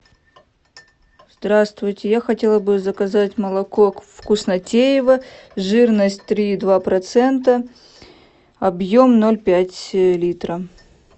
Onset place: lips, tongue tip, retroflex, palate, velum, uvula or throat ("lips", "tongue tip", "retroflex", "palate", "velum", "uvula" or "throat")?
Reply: tongue tip